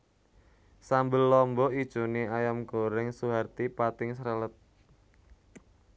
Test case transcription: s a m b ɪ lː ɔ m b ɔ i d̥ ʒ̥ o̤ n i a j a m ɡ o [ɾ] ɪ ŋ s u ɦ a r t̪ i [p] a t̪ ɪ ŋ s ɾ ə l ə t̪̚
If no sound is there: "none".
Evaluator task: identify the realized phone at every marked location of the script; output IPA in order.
ɾ, p

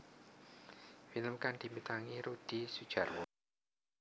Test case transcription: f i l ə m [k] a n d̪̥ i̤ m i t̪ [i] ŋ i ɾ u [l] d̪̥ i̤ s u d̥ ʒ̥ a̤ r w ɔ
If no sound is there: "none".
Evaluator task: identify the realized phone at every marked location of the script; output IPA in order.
k, a, none

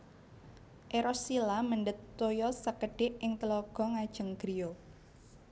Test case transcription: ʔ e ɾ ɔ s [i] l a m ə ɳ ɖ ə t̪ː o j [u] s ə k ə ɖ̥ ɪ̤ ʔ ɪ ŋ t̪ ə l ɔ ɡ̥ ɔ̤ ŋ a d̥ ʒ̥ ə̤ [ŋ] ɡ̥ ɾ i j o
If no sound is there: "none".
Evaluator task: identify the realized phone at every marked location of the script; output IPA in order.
i, ɔ, ŋ

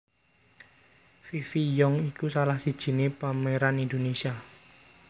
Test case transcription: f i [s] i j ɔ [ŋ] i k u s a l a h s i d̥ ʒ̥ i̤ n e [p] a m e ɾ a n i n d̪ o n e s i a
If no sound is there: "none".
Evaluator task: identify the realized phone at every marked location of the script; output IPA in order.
f, ŋ, p

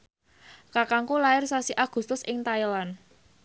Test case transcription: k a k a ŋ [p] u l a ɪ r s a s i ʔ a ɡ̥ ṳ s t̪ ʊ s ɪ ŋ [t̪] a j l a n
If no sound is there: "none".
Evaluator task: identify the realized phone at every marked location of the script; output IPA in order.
k, t̪

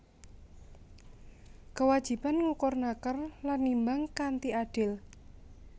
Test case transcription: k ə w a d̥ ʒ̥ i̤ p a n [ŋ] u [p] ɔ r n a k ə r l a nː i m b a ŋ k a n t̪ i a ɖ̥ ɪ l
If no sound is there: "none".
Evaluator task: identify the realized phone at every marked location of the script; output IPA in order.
ŋ, k

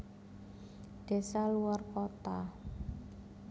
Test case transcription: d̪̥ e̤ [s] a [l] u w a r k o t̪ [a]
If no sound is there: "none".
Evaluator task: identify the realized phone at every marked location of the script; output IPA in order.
s, l, a

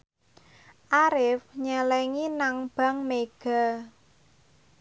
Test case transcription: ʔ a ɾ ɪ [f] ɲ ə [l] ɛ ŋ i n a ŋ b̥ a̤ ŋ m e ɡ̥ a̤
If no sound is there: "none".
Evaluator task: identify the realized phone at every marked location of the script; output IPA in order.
f, l

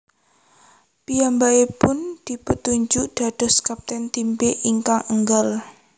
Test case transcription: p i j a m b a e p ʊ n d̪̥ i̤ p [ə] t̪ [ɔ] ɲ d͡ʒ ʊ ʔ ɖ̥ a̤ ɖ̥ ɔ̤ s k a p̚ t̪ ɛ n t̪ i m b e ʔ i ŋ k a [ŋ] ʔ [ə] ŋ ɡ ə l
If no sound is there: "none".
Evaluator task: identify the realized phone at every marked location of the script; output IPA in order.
ə, u, ŋ, ə

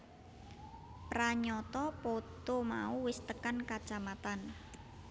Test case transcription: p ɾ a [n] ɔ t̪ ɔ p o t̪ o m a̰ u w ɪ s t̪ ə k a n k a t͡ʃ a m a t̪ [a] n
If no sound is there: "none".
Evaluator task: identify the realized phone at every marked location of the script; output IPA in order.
ɲ, a

